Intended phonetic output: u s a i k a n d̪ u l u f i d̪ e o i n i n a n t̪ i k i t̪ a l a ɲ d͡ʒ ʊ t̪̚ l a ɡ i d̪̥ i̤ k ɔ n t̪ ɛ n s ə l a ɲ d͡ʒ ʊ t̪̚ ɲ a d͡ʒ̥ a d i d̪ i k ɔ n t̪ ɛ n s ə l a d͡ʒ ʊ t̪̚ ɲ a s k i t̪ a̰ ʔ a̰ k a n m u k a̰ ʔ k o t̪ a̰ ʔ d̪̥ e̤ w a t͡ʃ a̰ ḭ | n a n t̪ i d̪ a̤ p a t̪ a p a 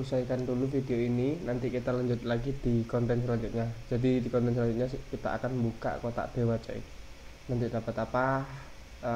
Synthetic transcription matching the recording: u s a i k a n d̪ u l u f i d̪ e o i n i n a n t̪ i k i t̪ a l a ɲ d͡ʒ ʊ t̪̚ l a ɡ i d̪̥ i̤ k ɔ n t̪ ɛ n s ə l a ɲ d͡ʒ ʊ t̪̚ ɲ a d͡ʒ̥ a d i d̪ i k ɔ n t̪ ɛ n s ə l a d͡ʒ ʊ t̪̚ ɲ a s k i t̪ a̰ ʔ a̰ k a n m u k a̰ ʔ k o t̪ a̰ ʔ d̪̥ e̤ w a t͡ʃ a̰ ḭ | n a n t̪ i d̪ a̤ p a t̪ a p a